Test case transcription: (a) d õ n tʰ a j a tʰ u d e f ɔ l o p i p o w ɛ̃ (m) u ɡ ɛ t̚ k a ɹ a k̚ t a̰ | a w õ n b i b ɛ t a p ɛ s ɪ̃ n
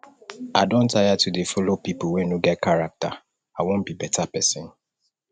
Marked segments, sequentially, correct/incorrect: correct, incorrect: n

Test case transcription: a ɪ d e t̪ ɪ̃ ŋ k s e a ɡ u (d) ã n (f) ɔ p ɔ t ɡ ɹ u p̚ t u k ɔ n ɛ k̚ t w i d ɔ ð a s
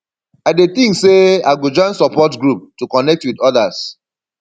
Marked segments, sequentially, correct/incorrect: incorrect: d͡ʒ, incorrect: s

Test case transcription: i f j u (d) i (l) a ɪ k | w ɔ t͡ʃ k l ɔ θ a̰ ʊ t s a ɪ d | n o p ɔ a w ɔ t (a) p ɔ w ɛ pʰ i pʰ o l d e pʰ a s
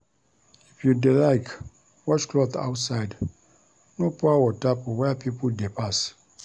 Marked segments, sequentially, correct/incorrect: correct, correct, correct

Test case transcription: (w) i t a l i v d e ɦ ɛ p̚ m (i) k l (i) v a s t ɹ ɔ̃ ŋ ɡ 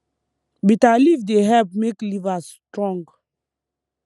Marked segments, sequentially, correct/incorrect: incorrect: b, incorrect: e, correct

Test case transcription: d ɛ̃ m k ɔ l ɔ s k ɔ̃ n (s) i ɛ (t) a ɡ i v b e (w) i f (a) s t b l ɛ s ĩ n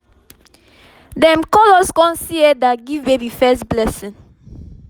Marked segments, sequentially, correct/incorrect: correct, incorrect: d, incorrect: b, incorrect: ɛ

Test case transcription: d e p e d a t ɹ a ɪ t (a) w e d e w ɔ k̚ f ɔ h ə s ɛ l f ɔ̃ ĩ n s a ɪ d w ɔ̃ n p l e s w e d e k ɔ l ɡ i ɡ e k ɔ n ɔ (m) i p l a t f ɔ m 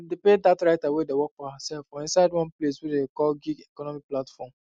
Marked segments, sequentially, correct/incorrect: correct, correct

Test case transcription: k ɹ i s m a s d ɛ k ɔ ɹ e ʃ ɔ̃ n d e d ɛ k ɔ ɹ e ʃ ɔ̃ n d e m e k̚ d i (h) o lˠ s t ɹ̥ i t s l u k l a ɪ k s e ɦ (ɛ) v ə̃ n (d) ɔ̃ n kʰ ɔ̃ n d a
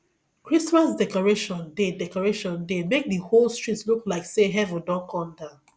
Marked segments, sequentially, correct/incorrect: correct, correct, correct

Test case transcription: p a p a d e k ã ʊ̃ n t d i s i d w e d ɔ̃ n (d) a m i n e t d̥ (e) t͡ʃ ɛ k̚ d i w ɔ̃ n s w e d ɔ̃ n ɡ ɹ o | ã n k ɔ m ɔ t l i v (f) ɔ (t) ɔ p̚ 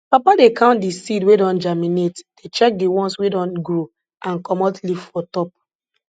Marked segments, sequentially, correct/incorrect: incorrect: d͡ʒ, correct, correct, correct

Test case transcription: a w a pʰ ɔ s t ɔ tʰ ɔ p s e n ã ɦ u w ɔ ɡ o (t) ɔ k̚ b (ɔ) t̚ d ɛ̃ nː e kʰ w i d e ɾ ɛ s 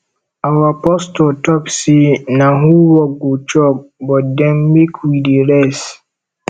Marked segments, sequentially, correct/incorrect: incorrect: t͡ʃ, correct

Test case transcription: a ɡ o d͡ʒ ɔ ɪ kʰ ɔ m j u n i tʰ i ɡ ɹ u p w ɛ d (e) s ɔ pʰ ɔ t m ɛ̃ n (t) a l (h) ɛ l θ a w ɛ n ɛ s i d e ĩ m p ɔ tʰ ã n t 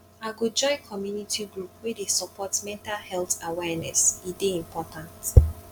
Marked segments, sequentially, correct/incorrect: correct, correct, correct

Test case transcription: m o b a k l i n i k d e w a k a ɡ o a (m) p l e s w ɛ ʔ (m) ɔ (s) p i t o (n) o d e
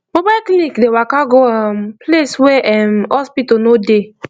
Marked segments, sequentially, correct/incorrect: correct, correct, correct, correct

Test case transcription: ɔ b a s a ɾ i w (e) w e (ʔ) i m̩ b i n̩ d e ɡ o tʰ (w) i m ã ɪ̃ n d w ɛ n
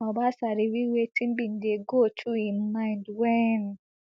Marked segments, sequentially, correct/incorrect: incorrect: i, incorrect: t, incorrect: u

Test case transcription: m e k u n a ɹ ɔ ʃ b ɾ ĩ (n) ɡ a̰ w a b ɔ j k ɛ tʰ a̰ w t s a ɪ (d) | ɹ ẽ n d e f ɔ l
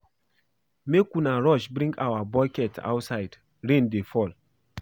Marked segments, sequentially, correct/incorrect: incorrect: ŋ, correct

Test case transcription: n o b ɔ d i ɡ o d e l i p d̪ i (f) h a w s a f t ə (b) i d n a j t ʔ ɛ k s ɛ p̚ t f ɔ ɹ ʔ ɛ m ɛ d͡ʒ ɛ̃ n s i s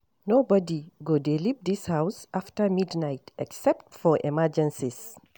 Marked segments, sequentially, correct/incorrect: incorrect: s, incorrect: m

